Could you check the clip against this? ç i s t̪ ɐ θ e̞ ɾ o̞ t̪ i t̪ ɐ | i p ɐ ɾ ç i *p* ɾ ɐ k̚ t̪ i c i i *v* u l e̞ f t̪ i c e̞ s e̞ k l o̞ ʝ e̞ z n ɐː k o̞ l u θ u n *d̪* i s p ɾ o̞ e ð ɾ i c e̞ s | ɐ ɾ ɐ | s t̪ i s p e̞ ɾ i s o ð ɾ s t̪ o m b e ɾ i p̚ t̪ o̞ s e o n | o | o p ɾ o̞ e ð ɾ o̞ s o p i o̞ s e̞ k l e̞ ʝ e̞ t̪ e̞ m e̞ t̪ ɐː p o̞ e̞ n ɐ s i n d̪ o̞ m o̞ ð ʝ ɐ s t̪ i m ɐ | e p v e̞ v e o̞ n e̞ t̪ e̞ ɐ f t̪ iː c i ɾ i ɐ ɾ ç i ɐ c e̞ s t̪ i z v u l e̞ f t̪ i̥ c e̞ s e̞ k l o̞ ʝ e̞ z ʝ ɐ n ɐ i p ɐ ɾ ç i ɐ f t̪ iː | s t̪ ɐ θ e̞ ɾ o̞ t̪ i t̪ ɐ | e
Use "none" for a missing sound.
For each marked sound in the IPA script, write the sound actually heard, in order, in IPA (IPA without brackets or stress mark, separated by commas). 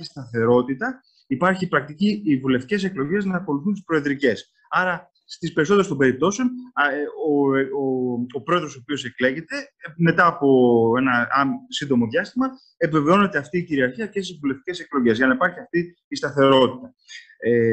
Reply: p, v, t̪